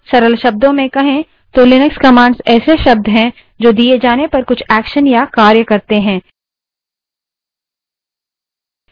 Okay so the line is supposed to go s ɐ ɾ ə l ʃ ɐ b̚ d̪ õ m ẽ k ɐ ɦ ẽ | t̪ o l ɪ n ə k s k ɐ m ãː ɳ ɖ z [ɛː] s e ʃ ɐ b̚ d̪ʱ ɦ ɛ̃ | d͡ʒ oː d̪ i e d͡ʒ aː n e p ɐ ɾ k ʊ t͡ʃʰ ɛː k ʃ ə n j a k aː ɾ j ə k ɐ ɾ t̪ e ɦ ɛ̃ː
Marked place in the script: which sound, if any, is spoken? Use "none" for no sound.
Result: ɛː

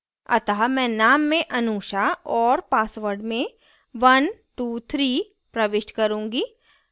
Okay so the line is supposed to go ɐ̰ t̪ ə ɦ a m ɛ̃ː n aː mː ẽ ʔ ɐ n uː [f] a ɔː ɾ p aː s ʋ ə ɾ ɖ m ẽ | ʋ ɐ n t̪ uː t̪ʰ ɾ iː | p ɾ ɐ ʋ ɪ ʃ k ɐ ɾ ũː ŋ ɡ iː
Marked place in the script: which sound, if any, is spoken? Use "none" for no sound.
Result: ʃ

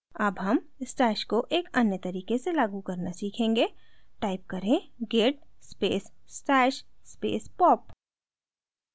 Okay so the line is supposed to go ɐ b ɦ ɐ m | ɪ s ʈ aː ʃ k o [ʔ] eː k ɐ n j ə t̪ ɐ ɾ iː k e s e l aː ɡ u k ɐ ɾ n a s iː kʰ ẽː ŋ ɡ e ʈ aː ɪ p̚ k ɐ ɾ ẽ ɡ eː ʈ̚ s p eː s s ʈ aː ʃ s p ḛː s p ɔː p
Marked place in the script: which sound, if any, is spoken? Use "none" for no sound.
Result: ʔ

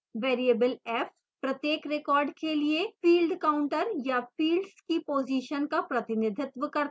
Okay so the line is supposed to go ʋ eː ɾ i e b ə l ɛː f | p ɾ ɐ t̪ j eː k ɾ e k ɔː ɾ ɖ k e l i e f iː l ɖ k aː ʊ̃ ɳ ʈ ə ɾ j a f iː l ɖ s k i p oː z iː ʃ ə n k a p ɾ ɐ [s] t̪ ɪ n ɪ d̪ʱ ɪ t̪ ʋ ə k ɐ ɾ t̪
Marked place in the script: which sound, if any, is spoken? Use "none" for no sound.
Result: none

